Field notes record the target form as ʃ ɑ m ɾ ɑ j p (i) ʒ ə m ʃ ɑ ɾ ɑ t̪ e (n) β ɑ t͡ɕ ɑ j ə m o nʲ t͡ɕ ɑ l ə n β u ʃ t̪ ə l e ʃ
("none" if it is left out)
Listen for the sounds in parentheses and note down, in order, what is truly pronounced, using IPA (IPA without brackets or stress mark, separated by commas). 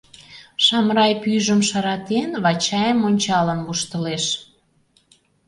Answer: y, n